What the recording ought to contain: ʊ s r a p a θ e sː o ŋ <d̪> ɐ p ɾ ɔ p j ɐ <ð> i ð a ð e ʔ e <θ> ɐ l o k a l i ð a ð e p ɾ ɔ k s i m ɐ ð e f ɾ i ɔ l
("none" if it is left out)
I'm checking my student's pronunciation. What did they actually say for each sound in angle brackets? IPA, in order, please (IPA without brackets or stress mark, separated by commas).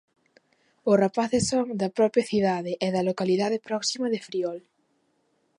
d̪, θ, ð